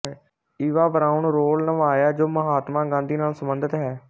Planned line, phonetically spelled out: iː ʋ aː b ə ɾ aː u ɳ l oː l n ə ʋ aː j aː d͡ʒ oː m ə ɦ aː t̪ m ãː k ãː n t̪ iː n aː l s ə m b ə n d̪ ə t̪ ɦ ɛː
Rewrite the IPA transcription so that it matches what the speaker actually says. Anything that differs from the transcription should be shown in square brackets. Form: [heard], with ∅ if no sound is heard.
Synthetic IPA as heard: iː ʋ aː b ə ɾ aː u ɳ [ɾ] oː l n ə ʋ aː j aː d͡ʒ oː m ə ɦ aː t̪ m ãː [ɡ] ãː n [d̪] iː n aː l s ə m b ə n d̪ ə t̪ ɦ ɛː